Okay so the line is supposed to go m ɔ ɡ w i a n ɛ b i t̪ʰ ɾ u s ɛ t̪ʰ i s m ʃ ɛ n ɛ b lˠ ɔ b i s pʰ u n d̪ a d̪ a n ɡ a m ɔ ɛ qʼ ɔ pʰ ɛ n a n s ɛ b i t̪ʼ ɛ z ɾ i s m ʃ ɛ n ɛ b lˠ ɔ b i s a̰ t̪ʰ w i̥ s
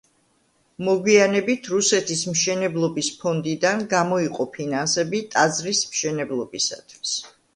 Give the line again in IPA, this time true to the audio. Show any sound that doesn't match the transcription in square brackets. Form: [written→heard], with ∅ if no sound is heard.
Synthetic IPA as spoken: m ɔ ɡ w i a n ɛ b i t̪ʰ ɾ u s ɛ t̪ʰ i s m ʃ ɛ n ɛ b lˠ ɔ b i s pʰ [u→ɔ] n d̪ [a→i] d̪ a n ɡ a m ɔ [ɛ→i] qʼ ɔ pʰ [ɛ→i] n a n s ɛ b i t̪ʼ [ɛ→a] z ɾ i s m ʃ ɛ n ɛ b lˠ ɔ b i s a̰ t̪ʰ w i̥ s